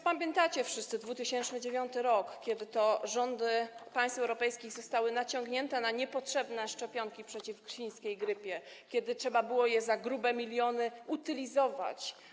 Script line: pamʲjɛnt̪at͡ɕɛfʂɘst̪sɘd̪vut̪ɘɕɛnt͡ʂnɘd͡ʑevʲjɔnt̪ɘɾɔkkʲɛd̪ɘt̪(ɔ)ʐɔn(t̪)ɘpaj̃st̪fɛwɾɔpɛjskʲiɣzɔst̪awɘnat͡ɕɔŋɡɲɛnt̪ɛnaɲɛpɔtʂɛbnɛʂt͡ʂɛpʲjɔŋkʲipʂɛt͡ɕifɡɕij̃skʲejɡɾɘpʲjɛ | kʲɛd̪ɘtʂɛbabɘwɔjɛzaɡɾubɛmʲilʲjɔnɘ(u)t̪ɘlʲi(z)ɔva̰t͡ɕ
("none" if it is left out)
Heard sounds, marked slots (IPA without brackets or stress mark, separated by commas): ɔ, d̪, u, z